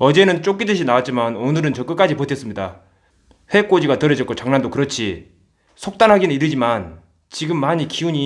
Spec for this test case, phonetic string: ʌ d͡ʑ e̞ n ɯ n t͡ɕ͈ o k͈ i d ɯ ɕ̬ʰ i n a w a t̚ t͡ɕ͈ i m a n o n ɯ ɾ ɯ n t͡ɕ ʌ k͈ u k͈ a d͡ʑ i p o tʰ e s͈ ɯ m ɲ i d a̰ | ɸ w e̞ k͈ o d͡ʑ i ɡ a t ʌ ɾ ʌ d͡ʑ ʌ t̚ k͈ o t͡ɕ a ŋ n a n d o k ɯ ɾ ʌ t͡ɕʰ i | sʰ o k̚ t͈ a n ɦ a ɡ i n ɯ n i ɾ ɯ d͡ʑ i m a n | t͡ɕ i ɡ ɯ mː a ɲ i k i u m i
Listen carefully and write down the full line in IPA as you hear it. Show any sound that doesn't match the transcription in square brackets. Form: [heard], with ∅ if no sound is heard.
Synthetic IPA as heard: ʌ d͡ʑ e̞ n ɯ n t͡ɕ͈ o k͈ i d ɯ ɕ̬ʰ i n a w a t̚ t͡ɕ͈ i m a n o n ɯ ɾ ɯ n t͡ɕ ʌ k͈ [ɯ] k͈ a d͡ʑ i p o tʰ e s͈ ɯ m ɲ i d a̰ | ɸ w e̞ k͈ o d͡ʑ i ɡ a t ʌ ɾ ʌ d͡ʑ ʌ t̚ k͈ o t͡ɕ a ŋ n a n d o k ɯ ɾ ʌ t͡ɕʰ i | sʰ o k̚ t͈ a n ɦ a ɡ i n ɯ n i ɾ ɯ d͡ʑ i m a n | t͡ɕ i ɡ ɯ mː a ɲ i k i u [ɲ] i